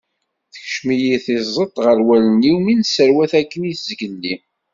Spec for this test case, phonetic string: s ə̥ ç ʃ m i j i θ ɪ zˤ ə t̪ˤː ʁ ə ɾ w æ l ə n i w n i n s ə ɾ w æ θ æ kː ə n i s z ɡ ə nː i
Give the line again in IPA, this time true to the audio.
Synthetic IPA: θ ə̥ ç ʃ m i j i θ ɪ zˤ ə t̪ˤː ʁ ə ɾ w æ l ə n i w m i n s ə ɾ w æ θ æ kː ə n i θ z ɡ ə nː i